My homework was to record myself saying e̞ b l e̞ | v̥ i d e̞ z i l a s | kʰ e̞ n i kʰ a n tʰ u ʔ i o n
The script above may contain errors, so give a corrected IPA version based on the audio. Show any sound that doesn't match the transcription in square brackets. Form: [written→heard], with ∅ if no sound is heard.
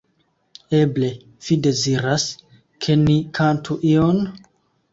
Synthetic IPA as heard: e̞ b l e̞ | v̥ i d e̞ z i [l→ɾ] a s | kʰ e̞ n i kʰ a n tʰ u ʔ i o n